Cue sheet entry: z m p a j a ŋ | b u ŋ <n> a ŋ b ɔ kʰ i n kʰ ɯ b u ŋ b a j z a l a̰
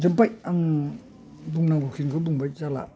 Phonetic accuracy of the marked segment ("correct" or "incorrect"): correct